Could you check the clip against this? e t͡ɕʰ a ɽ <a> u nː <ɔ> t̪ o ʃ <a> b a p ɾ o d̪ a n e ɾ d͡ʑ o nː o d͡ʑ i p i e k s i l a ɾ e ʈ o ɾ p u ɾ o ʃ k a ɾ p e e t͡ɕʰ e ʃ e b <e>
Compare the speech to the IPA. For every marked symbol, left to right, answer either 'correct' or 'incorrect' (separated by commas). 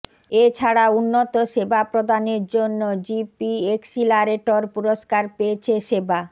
correct, incorrect, incorrect, incorrect